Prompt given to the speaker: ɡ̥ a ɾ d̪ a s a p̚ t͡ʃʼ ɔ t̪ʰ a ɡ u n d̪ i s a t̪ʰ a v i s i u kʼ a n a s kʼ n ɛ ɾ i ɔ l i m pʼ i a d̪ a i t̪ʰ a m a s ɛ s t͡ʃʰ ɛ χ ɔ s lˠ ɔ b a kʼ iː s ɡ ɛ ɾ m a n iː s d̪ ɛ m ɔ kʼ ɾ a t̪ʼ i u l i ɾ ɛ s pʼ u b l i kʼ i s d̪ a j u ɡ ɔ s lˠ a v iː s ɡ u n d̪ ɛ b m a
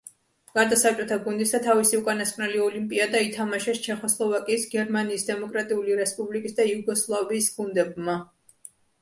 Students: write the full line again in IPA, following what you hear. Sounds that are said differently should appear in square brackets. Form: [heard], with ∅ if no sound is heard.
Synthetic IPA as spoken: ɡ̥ a ɾ d̪ a s a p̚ t͡ʃʼ ɔ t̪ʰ a ɡ u n d̪ i s a t̪ʰ a v i s i u kʼ a n a s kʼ n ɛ [l] i ɔ l i m pʼ i a d̪ a i t̪ʰ a m a [ʃ] ɛ s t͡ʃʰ ɛ χ ɔ s lˠ ɔ [v] a kʼ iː s ɡ ɛ ɾ m a n iː s d̪ ɛ m ɔ kʼ ɾ a t̪ʼ i u l i ɾ ɛ s pʼ u b l i kʼ i s d̪ a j u ɡ ɔ s lˠ a v iː s ɡ u n d̪ ɛ b m a